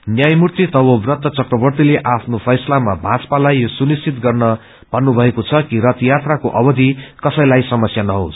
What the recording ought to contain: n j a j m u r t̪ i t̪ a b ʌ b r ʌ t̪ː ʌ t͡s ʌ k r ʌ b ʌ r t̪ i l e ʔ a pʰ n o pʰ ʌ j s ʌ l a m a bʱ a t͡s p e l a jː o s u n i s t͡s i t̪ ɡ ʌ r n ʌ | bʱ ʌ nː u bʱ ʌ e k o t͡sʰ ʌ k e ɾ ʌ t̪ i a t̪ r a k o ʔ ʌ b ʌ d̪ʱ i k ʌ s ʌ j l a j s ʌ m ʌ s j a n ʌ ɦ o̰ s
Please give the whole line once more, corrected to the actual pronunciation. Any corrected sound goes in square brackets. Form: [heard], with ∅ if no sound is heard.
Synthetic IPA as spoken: n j a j m u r t̪ i t̪ [ʌ] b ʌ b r ʌ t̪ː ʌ t͡s ʌ k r ʌ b ʌ r t̪ i l e ʔ a pʰ n o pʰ ʌ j s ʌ l a m a bʱ a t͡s p [a] l a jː o s u n i s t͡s i t̪ ɡ ʌ r n ʌ | bʱ ʌ nː u bʱ ʌ e k o t͡sʰ ʌ k [i] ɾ ʌ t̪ [j] a t̪ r a k o ʔ ʌ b ʌ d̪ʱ i k ʌ s ʌ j l a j s ʌ m ʌ s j a n ʌ ɦ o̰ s